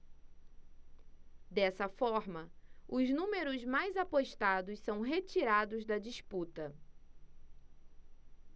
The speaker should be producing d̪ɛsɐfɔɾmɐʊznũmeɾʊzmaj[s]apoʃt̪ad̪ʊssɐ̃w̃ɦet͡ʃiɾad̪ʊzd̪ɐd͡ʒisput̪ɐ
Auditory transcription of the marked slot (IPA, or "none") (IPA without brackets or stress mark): z